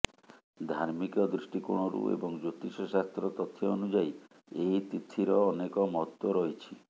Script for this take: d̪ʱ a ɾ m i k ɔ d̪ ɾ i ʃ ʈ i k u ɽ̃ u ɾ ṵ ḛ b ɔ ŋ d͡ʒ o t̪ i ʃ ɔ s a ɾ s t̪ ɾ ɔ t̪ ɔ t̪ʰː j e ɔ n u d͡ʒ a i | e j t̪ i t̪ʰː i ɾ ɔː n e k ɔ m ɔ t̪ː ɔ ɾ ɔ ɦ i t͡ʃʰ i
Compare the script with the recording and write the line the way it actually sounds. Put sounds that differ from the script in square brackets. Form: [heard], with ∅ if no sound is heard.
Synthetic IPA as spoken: d̪ʱ a ɾ m i k ɔ d̪ ɾ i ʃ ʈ i k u ɽ̃ [ɔ] ɾ ṵ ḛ b ɔ ŋ d͡ʒ o t̪ i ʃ ɔ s a [∅] s t̪ ɾ ɔ t̪ ɔ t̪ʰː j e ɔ n u d͡ʒ a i | e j t̪ i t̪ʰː i ɾ ɔː n e k ɔ m ɔ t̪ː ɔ ɾ ɔ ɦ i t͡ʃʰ i